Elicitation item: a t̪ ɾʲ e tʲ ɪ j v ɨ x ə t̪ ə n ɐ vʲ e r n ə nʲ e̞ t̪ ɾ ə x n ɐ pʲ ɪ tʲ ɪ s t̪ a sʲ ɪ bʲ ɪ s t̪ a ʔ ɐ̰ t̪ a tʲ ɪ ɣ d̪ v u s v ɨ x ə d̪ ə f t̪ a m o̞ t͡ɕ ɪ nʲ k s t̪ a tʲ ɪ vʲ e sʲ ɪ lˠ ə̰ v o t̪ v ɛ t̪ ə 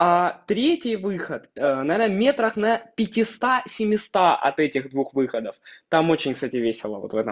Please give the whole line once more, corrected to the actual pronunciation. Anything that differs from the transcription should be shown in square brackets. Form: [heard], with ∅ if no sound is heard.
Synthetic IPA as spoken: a t̪ ɾʲ e tʲ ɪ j v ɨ x ə t̪ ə n ɐ vʲ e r n ə [mʲ] e̞ t̪ ɾ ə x n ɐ pʲ ɪ tʲ ɪ s t̪ a sʲ ɪ [mʲ] ɪ s t̪ a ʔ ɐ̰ t̪ [ɛ] tʲ ɪ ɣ d̪ v u [x] v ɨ x ə d̪ ə f t̪ a m o̞ t͡ɕ ɪ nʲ k s t̪ a tʲ ɪ vʲ e sʲ ɪ lˠ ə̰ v o t̪ v ɛ t̪ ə